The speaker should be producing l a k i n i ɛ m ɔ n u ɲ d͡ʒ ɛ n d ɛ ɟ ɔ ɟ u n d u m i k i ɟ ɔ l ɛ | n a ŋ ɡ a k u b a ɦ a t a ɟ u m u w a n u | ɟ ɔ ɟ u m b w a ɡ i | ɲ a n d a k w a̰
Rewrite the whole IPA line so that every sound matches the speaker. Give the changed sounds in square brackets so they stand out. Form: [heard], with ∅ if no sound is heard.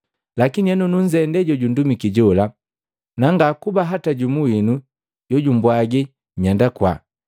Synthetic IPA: l a k i n i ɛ [n] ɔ n u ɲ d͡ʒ ɛ n d ɛ ɟ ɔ ɟ u n d u m i k i ɟ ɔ l [a] | n a ŋ ɡ a k u b a ɦ a t a ɟ u m u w [i] n u | ɟ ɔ ɟ u m b w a ɡ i | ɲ a n d a k w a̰